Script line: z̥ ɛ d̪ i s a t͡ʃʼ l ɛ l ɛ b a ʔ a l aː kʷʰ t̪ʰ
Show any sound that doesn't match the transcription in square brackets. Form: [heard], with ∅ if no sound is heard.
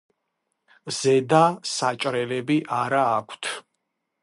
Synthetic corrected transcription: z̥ ɛ d̪ [a] s a t͡ʃʼ [ɾ] ɛ l ɛ b [i] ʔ a [ɾ] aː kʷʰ t̪ʰ